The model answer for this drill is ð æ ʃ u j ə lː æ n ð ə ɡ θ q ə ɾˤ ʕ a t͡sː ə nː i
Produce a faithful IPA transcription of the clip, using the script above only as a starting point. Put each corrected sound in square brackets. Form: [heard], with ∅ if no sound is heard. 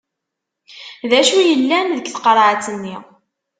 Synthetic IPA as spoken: ð æ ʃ u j ə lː æ n ð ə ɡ θ q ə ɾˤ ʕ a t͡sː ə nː i